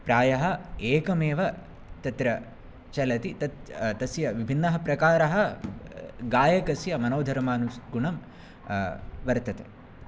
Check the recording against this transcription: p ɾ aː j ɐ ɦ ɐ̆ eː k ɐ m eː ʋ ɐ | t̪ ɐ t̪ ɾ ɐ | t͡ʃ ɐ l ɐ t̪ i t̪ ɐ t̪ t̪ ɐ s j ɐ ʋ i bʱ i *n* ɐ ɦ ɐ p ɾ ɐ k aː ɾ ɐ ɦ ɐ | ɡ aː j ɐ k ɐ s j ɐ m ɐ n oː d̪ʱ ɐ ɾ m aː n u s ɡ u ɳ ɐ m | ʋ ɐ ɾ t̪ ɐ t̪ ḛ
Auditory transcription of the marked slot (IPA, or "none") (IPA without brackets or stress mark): nː